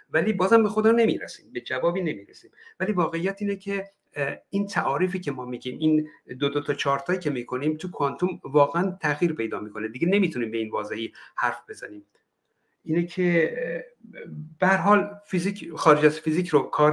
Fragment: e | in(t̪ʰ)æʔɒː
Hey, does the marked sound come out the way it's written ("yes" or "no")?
yes